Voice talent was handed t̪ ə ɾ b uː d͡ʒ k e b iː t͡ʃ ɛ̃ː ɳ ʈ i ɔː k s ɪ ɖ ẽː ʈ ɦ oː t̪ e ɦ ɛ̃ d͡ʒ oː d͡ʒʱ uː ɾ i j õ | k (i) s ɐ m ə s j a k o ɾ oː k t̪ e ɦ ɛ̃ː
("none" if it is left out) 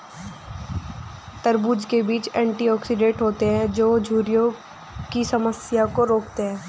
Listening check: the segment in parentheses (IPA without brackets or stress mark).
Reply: i